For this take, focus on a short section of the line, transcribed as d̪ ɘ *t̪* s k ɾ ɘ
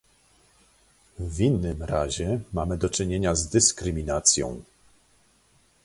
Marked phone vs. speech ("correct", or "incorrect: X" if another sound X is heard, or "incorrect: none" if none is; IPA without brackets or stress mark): incorrect: none